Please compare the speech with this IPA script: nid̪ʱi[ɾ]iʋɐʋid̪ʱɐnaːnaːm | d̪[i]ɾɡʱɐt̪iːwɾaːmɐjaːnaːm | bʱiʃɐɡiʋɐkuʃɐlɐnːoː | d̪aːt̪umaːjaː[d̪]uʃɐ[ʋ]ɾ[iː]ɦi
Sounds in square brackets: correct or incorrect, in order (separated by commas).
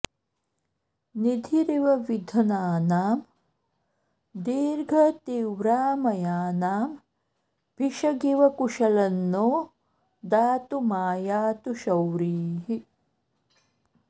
correct, incorrect, incorrect, incorrect, correct